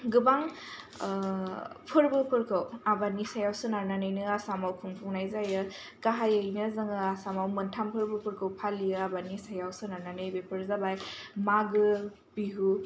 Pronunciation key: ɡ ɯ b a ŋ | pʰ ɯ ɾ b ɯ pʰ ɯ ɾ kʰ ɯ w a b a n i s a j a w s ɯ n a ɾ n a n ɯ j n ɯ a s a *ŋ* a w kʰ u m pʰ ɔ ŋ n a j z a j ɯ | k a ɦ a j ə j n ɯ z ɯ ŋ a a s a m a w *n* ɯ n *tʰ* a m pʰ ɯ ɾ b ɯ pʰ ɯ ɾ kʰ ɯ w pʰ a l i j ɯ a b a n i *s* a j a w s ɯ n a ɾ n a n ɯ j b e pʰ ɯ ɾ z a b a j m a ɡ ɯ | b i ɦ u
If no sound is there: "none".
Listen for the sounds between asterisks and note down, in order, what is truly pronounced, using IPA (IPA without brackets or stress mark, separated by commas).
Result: m, m, tʰ, s